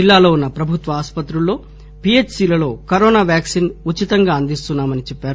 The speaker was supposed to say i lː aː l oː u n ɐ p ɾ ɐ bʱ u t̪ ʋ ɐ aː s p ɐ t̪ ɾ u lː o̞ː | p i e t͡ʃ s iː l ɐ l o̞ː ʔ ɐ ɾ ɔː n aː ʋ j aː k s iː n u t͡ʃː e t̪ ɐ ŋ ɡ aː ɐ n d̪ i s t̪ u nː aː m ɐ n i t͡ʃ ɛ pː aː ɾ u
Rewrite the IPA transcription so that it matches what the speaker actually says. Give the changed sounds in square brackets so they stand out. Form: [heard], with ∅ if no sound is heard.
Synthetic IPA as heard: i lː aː l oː u [nː] ɐ p ɾ ɐ bʱ u t̪ ʋ ɐ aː s p ɐ t̪ ɾ u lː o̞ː | p i e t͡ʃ s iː l ɐ l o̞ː [k] ɐ ɾ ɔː n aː ʋ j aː k s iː n u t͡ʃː [i] t̪ ɐ ŋ ɡ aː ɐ n d̪ i s t̪ u nː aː m ɐ n i t͡ʃ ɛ pː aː ɾ u